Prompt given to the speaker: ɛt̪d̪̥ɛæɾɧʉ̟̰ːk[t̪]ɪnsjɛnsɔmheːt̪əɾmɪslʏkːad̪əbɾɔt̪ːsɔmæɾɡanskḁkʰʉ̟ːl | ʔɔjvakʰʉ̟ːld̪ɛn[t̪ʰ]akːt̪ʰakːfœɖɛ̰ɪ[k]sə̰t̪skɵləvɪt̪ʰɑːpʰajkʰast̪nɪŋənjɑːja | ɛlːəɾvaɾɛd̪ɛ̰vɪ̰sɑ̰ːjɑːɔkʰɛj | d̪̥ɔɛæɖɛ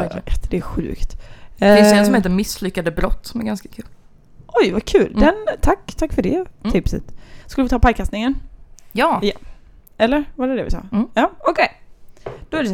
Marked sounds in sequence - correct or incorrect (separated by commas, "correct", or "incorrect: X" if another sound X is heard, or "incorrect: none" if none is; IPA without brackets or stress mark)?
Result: correct, correct, incorrect: p